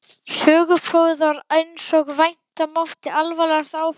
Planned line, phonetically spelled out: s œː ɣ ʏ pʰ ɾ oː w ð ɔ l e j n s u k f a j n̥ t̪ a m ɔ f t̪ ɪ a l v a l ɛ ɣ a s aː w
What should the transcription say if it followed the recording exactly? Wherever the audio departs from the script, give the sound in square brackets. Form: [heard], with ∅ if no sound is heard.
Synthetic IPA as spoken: s œː ɣ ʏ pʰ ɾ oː w ð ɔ [ɾ] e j n s [ɔ] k [v] a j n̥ t̪ a m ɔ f t̪ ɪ a l v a l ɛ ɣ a s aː w